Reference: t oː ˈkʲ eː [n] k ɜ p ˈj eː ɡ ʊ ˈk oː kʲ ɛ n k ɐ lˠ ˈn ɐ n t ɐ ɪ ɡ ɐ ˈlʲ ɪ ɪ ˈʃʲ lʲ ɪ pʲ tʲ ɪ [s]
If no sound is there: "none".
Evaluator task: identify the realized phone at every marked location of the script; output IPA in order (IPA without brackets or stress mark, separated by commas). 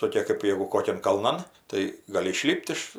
none, ʃ